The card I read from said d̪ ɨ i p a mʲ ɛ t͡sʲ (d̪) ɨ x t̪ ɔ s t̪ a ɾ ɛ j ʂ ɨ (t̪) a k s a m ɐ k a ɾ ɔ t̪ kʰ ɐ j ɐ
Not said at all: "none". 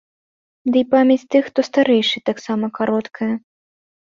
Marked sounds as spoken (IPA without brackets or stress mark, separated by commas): t̪, t̪